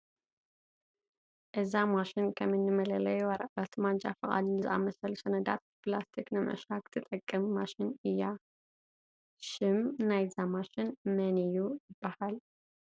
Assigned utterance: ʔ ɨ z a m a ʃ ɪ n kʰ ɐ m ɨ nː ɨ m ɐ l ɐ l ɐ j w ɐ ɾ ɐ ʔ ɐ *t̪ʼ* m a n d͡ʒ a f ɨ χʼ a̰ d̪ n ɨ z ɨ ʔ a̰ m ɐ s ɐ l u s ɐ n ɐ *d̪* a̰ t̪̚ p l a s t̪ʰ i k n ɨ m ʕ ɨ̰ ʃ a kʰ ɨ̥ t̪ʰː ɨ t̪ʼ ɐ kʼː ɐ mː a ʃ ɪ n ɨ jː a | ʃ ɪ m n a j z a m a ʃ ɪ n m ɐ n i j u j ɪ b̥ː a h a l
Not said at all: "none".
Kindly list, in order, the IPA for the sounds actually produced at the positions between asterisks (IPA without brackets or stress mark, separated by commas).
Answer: t̪, d̪